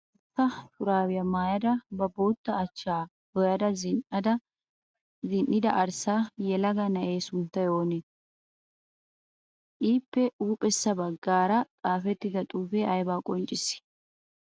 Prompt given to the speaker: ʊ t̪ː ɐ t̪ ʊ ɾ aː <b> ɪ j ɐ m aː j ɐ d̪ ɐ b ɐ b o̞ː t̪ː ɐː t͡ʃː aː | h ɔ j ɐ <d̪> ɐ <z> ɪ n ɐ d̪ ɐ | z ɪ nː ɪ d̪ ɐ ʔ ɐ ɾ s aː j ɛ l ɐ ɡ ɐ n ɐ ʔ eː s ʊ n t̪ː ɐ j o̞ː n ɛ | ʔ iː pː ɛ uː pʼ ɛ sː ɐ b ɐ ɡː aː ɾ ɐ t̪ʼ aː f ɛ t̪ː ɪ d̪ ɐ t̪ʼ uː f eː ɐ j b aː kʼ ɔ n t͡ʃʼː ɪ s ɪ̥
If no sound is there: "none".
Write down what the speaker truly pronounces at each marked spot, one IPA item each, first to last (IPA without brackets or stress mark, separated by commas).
w, d̪, z